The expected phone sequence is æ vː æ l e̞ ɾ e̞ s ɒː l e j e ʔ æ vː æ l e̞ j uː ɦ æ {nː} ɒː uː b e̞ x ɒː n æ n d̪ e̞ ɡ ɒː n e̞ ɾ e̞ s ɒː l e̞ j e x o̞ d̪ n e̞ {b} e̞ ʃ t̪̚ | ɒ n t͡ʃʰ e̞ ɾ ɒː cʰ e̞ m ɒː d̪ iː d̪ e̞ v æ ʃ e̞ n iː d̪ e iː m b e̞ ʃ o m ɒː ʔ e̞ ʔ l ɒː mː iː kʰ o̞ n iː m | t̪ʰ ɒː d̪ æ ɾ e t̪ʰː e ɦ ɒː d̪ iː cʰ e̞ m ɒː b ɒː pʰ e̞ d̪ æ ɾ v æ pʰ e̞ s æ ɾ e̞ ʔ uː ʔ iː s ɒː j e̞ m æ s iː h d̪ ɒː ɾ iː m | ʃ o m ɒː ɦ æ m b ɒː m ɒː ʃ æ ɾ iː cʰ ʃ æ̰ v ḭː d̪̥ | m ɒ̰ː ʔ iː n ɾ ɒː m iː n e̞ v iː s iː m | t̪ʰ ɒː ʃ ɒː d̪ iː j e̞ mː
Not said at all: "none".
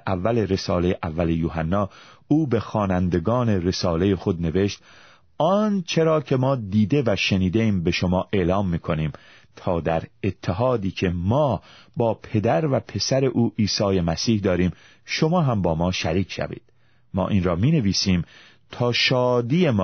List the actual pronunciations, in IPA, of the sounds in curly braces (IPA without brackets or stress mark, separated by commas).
nː, v